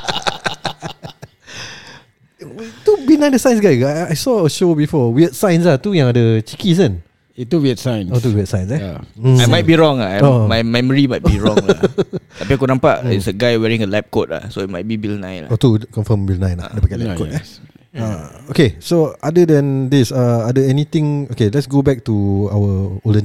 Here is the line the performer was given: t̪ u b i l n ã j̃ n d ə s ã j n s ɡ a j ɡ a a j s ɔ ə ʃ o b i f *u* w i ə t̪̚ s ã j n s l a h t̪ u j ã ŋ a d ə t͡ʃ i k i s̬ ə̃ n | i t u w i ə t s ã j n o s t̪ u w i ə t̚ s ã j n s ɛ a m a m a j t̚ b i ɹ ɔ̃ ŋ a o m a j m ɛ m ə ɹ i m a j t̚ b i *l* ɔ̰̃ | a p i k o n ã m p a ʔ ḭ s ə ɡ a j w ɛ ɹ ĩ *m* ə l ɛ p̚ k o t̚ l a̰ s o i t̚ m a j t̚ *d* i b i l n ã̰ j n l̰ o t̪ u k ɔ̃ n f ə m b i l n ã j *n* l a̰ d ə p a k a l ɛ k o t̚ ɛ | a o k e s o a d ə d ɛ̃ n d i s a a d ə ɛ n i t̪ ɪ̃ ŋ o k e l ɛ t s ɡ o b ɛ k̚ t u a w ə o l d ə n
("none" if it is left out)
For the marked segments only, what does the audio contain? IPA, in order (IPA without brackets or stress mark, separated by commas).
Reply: ɔ, ɹ, ŋ, b, n